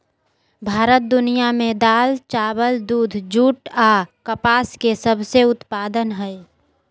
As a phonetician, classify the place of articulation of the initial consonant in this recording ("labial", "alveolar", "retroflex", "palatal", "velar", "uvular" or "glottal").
labial